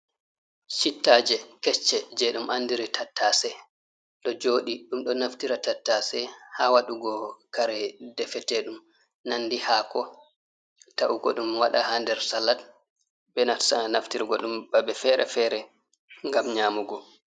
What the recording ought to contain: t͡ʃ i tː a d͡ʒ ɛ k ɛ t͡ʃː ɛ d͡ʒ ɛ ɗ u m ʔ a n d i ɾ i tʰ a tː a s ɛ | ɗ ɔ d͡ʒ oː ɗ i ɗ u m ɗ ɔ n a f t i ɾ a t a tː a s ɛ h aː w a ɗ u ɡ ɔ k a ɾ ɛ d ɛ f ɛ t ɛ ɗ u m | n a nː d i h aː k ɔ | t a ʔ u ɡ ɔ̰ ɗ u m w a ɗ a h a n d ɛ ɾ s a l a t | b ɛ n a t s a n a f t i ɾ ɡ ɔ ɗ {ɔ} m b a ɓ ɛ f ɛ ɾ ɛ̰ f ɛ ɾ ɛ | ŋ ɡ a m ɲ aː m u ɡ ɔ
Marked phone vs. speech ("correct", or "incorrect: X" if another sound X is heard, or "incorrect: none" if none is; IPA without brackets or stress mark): incorrect: u